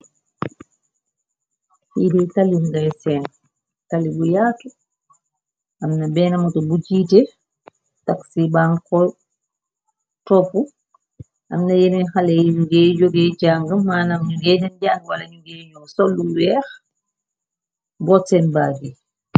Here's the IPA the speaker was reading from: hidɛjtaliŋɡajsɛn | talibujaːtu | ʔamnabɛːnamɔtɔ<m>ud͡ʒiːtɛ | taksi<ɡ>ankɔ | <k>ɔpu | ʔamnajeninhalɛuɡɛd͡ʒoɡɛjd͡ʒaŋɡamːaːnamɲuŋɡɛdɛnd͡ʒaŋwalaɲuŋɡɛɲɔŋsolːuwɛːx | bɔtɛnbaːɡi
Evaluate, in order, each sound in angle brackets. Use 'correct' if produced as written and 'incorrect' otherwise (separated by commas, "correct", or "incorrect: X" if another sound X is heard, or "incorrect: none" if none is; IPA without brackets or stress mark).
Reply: incorrect: b, incorrect: b, incorrect: t